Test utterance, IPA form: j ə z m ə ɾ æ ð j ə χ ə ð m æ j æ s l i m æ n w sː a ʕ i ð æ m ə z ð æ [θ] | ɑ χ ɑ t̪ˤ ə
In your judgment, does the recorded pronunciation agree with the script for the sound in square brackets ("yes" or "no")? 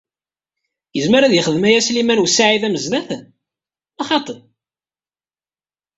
yes